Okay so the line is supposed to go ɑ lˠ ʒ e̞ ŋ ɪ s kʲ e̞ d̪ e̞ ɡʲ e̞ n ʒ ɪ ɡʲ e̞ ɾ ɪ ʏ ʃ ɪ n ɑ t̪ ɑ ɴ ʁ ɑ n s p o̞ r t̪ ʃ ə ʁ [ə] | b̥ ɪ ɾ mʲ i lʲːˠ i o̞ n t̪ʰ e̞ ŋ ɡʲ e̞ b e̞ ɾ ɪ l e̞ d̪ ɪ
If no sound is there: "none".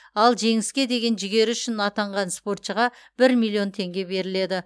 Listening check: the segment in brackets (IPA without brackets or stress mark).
ɑ